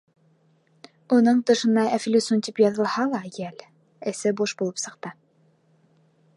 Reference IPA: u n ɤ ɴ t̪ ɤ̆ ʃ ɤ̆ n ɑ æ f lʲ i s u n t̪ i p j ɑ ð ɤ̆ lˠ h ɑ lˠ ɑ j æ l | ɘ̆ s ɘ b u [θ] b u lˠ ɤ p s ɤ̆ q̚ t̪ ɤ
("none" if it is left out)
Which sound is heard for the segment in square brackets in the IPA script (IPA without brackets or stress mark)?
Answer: ʃ